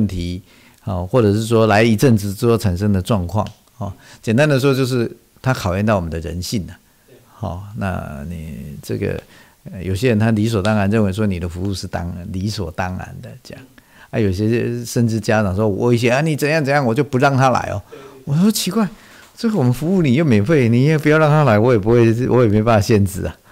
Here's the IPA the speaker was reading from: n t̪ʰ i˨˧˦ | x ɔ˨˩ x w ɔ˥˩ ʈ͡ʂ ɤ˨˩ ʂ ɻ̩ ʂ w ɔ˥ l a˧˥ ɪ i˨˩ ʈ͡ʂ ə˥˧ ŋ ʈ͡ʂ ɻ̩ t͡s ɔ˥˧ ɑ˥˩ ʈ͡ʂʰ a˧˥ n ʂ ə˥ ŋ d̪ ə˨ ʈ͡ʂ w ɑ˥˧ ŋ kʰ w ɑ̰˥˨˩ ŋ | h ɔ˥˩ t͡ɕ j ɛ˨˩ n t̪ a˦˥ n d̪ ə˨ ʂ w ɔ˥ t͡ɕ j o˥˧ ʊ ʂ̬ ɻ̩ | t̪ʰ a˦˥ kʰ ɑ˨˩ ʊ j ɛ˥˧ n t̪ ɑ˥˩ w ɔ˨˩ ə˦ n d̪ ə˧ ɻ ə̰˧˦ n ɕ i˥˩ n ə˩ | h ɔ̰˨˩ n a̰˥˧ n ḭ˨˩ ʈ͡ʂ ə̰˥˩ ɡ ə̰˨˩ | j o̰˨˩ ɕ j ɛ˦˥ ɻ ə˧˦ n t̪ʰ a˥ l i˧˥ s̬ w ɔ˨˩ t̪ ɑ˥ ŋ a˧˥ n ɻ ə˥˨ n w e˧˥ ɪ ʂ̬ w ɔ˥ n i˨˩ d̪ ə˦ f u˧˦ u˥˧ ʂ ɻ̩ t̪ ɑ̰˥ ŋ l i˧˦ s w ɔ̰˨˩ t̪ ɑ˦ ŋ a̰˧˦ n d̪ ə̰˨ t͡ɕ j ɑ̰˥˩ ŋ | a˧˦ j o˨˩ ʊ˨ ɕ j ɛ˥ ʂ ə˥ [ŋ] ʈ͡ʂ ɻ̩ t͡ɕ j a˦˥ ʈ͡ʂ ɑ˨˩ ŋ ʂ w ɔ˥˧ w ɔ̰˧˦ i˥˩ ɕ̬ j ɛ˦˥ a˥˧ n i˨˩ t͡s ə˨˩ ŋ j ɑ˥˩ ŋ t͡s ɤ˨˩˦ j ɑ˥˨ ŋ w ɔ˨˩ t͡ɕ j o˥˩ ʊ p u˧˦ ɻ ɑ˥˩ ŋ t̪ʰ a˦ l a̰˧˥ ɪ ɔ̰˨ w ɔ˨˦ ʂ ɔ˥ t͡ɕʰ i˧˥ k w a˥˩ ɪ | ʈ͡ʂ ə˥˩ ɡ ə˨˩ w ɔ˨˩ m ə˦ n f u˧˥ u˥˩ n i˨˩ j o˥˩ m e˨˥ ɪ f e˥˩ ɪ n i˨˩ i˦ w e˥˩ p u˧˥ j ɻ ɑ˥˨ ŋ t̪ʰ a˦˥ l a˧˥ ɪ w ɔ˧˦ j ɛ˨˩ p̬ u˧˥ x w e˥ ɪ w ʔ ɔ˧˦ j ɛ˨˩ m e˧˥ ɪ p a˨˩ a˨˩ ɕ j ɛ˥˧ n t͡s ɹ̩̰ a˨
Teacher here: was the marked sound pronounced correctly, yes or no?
no